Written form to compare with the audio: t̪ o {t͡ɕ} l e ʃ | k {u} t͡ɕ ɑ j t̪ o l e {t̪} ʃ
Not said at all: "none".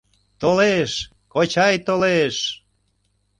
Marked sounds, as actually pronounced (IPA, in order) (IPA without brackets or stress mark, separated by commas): none, o, none